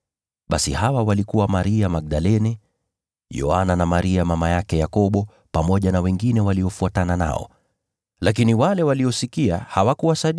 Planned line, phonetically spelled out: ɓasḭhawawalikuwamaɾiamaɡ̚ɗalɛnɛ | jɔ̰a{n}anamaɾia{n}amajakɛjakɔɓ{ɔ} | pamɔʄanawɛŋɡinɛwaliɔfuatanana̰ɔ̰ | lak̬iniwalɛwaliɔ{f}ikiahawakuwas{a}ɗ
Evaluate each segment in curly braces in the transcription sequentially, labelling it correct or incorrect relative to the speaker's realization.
correct, incorrect, correct, incorrect, correct

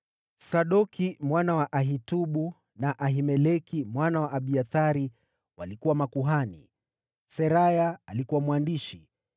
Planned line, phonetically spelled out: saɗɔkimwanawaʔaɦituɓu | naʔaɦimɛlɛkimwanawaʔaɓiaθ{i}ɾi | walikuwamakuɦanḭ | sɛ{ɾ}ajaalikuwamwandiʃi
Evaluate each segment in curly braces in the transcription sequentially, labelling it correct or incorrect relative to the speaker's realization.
incorrect, correct

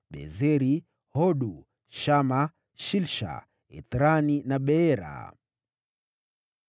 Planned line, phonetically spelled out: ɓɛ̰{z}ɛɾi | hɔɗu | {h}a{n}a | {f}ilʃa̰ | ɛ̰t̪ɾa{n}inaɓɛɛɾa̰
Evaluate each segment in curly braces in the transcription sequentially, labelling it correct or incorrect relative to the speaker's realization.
correct, incorrect, incorrect, incorrect, correct

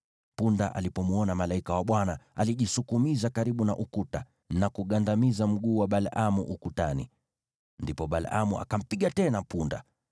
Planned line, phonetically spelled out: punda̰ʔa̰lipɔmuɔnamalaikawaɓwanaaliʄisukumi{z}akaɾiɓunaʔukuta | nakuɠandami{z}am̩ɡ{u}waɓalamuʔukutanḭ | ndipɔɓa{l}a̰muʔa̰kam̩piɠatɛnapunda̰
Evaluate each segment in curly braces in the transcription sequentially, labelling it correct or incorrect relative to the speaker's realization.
correct, correct, incorrect, correct

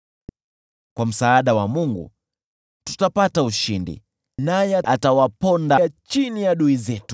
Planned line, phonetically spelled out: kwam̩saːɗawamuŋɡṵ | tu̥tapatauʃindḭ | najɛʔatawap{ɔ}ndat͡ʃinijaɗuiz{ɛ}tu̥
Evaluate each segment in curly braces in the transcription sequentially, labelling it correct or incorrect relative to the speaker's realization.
correct, correct

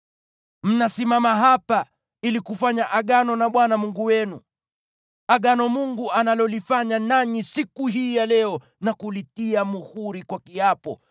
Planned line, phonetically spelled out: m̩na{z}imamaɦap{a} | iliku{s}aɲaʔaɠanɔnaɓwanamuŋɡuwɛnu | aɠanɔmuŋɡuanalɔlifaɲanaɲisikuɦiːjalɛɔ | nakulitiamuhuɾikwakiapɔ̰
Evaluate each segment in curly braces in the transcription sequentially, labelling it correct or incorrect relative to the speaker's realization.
incorrect, correct, incorrect

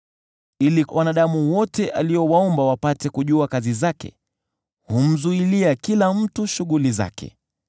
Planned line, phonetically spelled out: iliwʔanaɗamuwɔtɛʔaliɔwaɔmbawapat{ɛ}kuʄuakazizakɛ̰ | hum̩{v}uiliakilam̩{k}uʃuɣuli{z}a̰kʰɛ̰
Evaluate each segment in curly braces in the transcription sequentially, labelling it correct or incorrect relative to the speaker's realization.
correct, incorrect, incorrect, correct

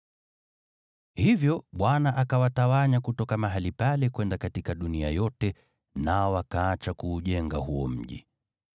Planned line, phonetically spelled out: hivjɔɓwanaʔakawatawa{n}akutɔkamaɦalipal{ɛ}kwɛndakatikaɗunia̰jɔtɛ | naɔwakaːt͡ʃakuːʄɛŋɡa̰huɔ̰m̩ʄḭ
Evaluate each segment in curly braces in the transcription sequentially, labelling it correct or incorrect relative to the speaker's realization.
incorrect, correct

